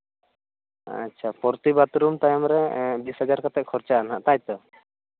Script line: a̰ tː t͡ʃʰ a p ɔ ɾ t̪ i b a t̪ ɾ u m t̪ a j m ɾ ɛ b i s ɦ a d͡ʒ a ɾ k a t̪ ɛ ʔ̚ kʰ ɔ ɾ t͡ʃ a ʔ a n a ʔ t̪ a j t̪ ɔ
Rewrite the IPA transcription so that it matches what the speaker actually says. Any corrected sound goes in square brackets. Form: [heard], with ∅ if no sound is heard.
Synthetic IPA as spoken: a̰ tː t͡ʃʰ a p ɔ ɾ t̪ i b a t̪ ɾ u m t̪ a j m ɾ ɛ b i s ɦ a d͡ʒ a ɾ k a t̪ ɛ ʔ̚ kʰ ɔ ɾ t͡ʃ a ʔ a n a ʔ t̪ a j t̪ ɔ